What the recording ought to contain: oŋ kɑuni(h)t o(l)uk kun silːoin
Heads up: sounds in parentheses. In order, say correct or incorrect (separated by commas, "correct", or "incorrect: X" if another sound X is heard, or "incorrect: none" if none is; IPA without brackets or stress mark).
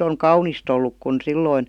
incorrect: s, incorrect: lː